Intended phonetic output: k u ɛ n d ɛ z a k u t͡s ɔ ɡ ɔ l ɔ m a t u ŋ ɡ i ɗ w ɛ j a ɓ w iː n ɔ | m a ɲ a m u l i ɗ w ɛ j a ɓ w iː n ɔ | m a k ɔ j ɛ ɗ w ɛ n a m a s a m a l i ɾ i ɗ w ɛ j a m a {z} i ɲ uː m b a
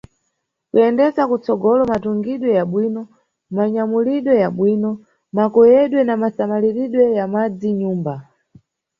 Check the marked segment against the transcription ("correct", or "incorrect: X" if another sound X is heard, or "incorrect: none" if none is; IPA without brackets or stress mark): incorrect: d͡z